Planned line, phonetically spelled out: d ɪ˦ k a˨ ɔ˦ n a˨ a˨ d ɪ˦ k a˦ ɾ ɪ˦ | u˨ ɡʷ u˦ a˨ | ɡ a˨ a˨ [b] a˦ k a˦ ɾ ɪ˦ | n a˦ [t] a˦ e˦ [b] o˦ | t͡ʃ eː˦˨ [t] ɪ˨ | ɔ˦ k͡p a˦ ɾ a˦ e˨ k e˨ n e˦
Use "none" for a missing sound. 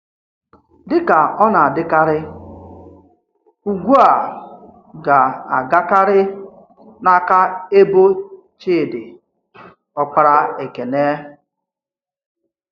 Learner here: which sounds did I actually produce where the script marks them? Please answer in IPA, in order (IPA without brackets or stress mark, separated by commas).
ɡ, k, b, d